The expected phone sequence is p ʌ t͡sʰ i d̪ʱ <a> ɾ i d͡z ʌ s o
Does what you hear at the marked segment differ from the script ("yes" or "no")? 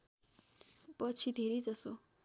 yes